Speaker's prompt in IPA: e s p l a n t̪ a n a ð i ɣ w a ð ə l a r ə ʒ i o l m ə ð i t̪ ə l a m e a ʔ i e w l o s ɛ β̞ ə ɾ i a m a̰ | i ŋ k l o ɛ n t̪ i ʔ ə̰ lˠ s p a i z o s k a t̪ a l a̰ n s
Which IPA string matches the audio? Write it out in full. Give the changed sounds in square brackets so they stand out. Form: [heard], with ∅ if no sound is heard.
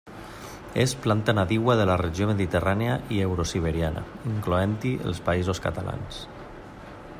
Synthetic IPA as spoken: e s p l a n t̪ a n a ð i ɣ w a ð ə l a r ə ʒ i o [∅] m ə ð i t̪ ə [r] a [n] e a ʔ i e w [ɾ] o s [i] β̞ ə ɾ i a [n] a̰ | i ŋ k l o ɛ n t̪ i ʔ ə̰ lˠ s p a i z o s k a t̪ a l a̰ n s